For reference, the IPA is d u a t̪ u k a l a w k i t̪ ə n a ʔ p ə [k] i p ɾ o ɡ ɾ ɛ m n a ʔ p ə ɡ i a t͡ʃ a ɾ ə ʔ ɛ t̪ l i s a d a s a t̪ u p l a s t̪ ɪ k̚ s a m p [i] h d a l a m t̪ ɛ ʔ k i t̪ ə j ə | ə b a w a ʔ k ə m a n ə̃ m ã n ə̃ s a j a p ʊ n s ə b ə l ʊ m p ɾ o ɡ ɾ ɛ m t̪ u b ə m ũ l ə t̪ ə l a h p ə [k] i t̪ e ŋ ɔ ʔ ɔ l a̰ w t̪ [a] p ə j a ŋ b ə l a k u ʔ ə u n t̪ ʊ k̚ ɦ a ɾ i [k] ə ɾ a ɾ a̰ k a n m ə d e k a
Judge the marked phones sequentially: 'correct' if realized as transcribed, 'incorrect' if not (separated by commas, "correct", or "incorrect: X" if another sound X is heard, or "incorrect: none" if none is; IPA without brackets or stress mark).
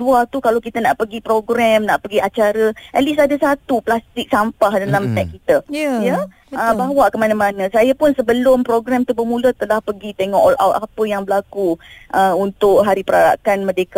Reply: incorrect: ɡ, incorrect: a, incorrect: ɡ, correct, incorrect: p